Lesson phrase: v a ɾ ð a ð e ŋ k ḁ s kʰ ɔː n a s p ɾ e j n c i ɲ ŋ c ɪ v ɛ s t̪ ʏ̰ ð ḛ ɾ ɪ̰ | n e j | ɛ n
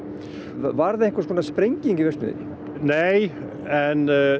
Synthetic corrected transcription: v a ɾ ð a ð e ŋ k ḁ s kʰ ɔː n a s p ɾ e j ɲ c i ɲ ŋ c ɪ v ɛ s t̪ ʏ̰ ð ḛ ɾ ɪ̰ | n e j | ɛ n